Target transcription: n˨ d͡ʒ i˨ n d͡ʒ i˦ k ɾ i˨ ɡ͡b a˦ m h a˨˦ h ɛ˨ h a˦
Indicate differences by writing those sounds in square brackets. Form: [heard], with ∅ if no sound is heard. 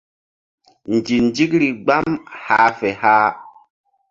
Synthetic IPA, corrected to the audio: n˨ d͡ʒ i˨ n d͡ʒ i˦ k ɾ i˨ ɡ͡b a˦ m h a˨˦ [f] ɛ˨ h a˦